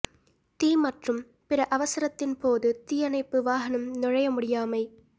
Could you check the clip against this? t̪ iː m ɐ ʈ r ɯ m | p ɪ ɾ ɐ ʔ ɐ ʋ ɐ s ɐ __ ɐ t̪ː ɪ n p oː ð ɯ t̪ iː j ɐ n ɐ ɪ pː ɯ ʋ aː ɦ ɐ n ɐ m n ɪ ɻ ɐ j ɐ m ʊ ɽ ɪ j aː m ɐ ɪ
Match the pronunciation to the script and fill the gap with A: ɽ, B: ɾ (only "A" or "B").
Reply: B